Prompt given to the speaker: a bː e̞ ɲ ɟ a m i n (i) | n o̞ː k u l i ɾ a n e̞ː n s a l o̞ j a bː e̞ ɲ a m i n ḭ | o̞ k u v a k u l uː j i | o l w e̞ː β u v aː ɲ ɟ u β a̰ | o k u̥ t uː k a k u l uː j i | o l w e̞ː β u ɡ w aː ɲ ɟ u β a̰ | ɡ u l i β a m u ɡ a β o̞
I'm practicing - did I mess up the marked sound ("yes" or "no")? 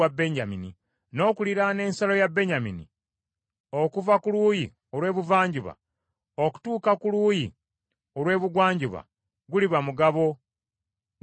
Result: no